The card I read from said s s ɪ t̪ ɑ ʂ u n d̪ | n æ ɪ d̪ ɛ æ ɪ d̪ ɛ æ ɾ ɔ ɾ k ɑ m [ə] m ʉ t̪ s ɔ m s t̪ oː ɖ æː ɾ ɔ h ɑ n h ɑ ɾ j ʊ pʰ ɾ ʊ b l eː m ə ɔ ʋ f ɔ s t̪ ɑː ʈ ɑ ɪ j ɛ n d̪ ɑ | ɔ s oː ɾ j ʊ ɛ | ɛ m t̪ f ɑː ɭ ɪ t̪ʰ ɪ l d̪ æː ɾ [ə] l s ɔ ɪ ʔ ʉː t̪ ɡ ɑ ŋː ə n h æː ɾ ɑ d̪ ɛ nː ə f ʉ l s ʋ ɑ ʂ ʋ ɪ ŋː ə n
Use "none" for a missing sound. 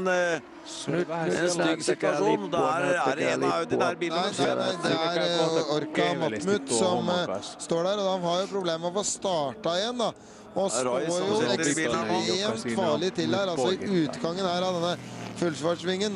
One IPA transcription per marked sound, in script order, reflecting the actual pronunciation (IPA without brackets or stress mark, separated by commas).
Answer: ɑ, ɑ